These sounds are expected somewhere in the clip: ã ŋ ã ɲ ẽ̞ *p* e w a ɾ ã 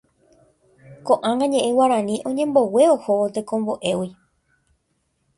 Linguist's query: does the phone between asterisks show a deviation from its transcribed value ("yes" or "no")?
yes